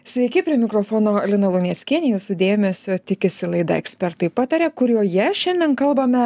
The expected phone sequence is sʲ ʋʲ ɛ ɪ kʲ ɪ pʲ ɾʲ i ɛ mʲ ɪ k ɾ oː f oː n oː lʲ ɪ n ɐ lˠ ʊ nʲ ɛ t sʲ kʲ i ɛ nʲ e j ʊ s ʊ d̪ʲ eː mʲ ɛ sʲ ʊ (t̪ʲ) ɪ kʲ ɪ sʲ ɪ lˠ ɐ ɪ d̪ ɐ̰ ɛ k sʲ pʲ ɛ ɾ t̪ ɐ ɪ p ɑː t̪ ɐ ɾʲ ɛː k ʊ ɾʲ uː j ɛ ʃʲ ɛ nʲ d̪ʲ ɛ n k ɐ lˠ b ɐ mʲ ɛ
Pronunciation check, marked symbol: correct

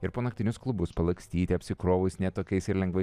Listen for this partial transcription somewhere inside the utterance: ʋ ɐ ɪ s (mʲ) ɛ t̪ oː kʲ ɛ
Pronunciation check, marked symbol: incorrect: nʲ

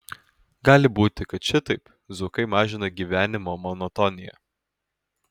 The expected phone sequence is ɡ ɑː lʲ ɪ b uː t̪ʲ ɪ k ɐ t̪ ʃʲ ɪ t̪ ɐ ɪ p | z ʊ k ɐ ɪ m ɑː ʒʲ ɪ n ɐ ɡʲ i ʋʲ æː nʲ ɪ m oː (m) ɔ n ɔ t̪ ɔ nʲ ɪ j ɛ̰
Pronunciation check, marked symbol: correct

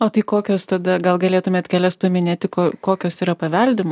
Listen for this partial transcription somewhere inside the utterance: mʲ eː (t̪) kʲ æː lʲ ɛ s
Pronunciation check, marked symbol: correct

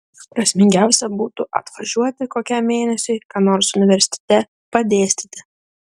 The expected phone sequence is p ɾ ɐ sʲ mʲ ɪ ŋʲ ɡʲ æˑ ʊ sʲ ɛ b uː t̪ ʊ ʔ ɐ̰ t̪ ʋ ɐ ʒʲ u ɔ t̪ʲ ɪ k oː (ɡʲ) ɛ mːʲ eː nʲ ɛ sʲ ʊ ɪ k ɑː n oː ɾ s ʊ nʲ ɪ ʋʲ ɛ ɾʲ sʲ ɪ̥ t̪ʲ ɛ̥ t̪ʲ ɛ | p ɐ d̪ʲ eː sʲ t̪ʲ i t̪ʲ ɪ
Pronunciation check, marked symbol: incorrect: kʲ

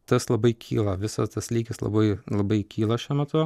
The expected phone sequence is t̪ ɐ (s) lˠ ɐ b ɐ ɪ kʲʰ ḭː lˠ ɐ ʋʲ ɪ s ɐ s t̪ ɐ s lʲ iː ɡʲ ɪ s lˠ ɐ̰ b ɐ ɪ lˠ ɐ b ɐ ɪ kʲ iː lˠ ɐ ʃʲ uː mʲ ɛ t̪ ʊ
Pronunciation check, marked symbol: correct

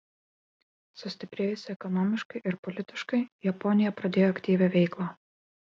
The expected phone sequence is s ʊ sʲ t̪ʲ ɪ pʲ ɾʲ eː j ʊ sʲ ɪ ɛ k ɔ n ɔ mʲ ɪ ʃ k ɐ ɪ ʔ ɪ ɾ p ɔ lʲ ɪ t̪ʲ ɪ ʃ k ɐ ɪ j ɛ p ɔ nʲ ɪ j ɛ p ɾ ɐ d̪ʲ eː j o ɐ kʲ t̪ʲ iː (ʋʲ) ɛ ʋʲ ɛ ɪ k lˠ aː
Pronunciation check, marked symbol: correct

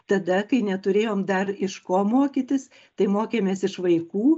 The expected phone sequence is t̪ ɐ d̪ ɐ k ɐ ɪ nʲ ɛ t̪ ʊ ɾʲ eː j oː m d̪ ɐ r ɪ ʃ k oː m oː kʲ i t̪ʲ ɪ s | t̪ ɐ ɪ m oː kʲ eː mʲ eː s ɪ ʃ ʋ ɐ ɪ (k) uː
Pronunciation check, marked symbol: correct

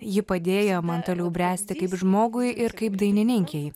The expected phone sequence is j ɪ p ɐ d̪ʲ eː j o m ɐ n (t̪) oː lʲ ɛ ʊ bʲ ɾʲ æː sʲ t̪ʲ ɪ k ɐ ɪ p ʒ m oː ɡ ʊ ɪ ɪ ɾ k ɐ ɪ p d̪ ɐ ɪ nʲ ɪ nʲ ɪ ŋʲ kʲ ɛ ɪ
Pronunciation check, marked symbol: correct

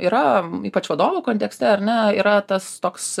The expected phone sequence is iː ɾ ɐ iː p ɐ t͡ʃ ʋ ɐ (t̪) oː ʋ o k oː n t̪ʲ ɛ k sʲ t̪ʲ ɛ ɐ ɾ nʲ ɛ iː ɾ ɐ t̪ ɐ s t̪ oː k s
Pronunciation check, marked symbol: incorrect: d̪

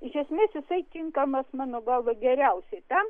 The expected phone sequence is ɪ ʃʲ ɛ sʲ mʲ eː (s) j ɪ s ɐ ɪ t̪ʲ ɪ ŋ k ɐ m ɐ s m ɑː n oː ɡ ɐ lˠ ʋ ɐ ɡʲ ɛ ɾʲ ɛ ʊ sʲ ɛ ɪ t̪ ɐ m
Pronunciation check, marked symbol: correct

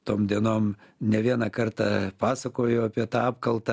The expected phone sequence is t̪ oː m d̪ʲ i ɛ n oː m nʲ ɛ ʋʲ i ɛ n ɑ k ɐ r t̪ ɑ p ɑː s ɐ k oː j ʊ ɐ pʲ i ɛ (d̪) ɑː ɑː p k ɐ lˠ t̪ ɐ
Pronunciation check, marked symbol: incorrect: t̪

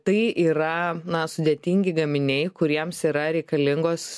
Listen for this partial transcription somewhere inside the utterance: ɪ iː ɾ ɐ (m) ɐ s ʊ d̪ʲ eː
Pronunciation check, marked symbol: incorrect: n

